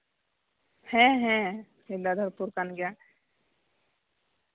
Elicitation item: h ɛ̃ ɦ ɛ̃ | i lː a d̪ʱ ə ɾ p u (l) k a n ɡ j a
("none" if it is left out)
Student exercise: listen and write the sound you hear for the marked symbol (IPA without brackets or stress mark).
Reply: ɾ